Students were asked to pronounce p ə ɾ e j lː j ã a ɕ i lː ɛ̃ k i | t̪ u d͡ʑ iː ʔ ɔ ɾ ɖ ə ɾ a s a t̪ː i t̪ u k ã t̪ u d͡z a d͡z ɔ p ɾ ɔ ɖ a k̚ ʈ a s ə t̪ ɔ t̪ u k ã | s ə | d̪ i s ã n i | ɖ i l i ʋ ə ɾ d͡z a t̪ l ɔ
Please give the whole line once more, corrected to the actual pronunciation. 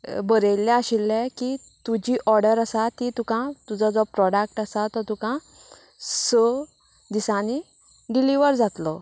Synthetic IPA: b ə ɾ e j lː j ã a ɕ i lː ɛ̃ k i | t̪ u d͡ʑ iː ʔ ɔ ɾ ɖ ə ɾ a s a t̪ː i t̪ u k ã t̪ u d͡z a d͡z ɔ p ɾ ɔ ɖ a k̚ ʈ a s a t̪ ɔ t̪ u k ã | s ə | d̪ i s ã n i | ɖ i l i ʋ ə ɾ d͡z a t̪ l ɔ